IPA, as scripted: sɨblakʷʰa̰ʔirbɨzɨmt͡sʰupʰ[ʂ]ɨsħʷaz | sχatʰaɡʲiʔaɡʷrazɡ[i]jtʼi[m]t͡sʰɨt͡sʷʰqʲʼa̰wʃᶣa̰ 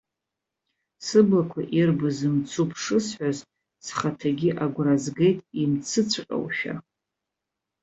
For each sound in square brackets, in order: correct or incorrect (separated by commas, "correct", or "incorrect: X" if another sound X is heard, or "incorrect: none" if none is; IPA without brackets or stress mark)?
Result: correct, incorrect: e, correct